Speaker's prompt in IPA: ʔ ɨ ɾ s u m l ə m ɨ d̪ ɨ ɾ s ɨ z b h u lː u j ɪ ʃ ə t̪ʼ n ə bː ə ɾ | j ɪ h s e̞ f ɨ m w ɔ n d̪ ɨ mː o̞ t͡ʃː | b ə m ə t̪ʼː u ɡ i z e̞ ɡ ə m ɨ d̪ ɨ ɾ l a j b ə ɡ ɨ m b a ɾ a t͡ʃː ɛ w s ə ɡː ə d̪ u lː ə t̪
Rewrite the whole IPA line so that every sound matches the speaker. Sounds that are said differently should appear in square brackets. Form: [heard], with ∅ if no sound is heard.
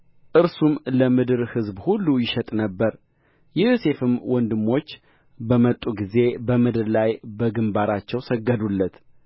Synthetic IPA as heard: ʔ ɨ ɾ s u m l ə m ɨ d̪ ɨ ɾ [h] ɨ z b h u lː u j ɪ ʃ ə t̪ʼ n ə bː ə ɾ | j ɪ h s e̞ f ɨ m w ɔ n d̪ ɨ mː o̞ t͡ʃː | b ə m ə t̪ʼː u ɡ i z e̞ [b] ə m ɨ d̪ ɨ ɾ l a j b ə ɡ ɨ m b a ɾ a t͡ʃː ɛ w s ə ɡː ə d̪ u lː ə t̪